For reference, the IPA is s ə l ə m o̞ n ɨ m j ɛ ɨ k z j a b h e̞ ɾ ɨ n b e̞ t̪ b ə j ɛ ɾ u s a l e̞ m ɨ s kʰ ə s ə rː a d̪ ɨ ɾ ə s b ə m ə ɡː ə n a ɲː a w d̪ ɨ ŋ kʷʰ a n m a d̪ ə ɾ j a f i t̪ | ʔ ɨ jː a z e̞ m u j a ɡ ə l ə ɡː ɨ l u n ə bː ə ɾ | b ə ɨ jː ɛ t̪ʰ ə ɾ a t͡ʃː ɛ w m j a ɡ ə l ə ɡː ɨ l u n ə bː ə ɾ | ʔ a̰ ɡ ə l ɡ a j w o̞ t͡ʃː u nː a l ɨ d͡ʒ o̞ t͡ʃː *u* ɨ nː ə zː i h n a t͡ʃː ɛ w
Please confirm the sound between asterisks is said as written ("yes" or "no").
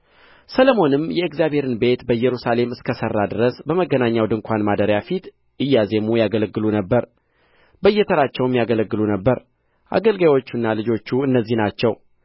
yes